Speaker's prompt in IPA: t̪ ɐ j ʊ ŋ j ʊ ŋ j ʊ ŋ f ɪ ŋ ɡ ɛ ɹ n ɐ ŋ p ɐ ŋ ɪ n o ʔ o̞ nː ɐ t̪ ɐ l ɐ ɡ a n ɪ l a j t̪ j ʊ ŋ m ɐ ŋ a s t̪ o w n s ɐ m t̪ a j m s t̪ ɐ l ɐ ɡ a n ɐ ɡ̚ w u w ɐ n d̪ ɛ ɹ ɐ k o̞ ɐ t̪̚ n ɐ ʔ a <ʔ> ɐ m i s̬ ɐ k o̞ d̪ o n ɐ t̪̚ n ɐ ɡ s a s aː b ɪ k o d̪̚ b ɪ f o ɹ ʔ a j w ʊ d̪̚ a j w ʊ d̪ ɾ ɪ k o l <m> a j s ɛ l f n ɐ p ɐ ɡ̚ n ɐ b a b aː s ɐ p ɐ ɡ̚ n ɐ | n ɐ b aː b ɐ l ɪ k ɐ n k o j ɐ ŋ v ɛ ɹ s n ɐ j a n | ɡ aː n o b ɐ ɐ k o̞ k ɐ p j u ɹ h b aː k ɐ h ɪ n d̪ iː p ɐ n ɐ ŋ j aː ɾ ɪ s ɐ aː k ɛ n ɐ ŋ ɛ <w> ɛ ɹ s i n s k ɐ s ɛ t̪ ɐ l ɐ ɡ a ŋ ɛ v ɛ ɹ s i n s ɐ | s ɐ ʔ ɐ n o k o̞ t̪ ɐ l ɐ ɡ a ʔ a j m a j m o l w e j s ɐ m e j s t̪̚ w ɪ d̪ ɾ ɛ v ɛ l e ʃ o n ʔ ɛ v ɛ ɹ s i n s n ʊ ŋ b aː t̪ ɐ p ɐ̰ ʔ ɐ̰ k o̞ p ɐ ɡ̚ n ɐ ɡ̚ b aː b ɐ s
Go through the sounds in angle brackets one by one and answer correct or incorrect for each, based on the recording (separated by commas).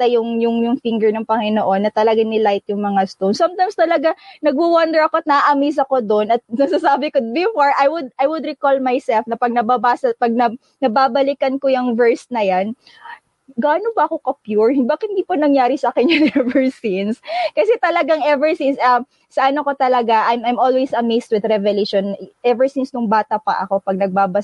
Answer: correct, correct, incorrect